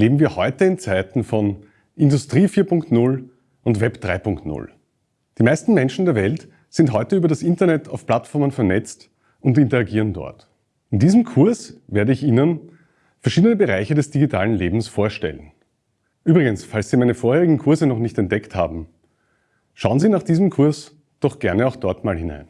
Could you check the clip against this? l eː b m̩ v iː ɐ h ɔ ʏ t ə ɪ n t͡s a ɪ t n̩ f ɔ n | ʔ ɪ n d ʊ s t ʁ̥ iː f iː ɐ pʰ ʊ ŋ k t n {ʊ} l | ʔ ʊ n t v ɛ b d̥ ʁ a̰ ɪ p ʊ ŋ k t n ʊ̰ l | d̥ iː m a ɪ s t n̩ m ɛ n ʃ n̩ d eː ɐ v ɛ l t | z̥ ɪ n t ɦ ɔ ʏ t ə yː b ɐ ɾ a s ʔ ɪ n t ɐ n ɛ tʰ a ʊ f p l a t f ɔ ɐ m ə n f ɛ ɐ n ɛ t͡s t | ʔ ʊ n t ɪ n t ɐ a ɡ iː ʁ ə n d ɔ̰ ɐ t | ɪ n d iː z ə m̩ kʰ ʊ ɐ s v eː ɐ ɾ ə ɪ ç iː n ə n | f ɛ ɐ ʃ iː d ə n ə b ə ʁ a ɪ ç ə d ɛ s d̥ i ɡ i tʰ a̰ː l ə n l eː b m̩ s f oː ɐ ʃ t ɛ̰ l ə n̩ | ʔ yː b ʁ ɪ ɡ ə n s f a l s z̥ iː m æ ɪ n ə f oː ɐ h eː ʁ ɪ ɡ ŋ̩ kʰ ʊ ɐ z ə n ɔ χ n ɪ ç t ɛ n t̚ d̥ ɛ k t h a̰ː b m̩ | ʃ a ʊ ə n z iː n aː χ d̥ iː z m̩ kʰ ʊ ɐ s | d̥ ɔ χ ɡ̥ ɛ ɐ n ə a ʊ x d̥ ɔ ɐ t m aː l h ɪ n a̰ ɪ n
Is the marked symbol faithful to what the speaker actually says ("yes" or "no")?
yes